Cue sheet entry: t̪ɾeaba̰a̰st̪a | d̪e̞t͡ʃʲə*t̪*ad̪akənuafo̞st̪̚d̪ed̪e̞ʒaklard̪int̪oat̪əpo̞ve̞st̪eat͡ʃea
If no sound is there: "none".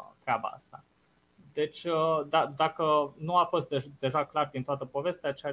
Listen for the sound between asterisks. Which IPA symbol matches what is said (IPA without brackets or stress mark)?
d̪